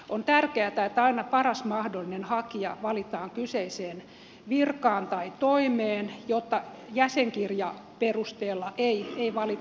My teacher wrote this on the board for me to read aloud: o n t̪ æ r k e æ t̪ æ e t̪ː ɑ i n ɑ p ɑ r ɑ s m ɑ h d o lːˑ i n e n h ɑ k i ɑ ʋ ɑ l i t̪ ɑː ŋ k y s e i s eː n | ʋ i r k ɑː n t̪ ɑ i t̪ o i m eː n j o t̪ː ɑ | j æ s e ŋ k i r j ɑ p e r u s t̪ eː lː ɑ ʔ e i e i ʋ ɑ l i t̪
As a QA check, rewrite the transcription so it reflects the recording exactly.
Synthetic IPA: o n t̪ æ r k e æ t̪ æ e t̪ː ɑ i n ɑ p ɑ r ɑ s m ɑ h d o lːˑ i n e n h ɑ k i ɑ ʋ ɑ l i t̪ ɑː ŋ k y s e i s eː n | ʋ i r k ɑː n t̪ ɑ i t̪ o i m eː n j o t̪ː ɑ | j æ s e ŋ k i r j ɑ p e r u s t̪ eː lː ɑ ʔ e i e i ʋ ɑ l i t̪